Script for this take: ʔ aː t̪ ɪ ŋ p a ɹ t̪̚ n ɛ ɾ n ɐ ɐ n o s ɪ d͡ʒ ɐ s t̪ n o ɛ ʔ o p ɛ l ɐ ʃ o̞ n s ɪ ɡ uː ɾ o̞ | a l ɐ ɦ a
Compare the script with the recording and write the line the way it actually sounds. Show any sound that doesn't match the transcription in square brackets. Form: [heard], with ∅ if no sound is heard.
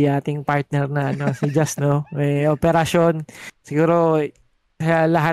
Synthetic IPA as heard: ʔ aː t̪ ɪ ŋ p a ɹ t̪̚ n ɛ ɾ n ɐ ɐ n o s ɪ d͡ʒ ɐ s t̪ n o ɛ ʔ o p ɛ [ɾ] ɐ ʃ o̞ n s ɪ ɡ uː ɾ o̞ | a l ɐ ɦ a